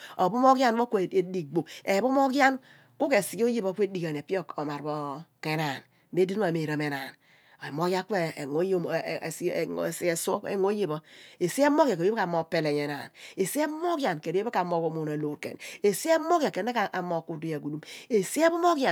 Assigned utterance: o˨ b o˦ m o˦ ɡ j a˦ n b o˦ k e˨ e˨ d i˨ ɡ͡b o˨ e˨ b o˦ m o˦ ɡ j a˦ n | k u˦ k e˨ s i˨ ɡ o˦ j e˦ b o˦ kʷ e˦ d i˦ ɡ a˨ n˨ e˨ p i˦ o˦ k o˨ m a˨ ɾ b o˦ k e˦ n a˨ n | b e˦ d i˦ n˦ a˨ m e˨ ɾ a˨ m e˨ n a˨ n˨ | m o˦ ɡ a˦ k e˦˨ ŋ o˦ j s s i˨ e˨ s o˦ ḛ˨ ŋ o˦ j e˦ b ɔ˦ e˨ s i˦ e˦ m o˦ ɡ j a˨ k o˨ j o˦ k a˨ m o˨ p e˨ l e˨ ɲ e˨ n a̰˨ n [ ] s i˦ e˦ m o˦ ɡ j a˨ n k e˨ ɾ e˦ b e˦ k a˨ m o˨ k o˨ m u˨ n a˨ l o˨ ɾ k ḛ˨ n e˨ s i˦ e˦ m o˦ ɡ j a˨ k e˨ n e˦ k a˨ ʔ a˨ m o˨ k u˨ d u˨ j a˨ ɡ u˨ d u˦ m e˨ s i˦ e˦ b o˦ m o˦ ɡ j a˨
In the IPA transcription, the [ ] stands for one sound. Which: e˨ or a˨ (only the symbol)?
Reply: e˨